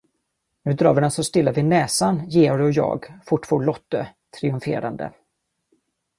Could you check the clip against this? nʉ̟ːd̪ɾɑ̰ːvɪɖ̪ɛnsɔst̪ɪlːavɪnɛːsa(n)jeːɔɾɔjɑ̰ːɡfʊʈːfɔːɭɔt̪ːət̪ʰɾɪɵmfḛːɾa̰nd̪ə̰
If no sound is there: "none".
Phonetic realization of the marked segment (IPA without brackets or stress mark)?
n